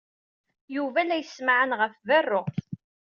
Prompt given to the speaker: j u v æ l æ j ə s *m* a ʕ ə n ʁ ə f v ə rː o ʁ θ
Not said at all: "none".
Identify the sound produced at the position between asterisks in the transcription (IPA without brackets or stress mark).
m